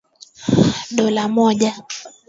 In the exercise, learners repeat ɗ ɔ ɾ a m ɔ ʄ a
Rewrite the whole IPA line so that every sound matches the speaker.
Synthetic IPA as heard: ɗ ɔ l a m ɔ ʄ a